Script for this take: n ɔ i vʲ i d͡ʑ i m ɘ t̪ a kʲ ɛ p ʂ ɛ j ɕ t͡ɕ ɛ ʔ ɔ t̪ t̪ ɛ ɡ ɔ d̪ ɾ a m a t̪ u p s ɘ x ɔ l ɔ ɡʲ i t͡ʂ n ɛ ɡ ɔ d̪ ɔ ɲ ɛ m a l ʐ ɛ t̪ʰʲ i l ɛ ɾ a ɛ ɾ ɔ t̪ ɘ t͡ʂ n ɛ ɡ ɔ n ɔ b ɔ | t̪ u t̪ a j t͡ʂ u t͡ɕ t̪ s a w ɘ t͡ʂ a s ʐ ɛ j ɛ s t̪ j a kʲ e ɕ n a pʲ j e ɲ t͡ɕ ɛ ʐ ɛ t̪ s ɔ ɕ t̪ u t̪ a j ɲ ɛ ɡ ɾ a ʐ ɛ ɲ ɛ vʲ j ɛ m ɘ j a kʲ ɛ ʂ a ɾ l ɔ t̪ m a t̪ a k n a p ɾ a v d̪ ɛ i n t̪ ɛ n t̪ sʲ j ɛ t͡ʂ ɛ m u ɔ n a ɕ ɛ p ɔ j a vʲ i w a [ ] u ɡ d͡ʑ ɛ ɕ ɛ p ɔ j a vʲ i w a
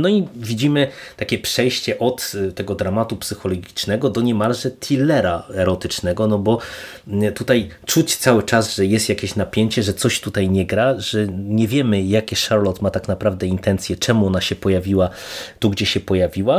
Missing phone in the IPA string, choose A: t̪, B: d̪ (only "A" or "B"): A